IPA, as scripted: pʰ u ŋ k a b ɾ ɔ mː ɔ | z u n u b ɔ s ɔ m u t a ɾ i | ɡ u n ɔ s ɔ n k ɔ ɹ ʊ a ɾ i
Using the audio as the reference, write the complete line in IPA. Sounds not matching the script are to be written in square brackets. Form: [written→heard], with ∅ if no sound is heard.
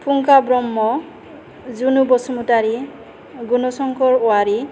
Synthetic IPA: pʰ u ŋ k a b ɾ ɔ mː ɔ | z u n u b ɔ s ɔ m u t a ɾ i | ɡ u n ɔ s ɔ [n→ŋ] k ɔ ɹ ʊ a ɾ i